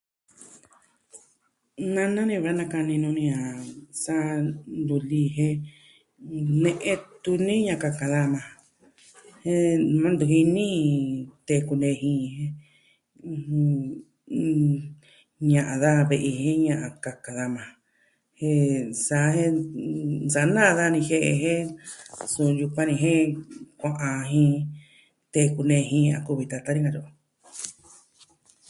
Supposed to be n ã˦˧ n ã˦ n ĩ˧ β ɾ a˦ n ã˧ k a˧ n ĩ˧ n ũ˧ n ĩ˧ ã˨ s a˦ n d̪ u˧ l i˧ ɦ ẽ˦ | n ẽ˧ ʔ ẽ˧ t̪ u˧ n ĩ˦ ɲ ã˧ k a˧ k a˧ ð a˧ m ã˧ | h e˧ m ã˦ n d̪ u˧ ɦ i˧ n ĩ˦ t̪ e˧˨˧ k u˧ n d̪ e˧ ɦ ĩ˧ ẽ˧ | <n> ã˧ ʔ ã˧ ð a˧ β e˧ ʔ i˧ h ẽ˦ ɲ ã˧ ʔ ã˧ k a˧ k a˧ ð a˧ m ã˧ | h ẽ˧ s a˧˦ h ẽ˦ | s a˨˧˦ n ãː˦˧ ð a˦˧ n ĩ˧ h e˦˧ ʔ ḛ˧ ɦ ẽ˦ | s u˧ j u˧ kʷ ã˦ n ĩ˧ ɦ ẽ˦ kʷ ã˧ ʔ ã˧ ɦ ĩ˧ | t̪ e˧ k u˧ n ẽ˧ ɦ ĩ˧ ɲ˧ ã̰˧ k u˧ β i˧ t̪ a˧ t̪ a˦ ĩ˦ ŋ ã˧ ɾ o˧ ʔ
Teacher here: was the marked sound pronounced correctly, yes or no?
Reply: no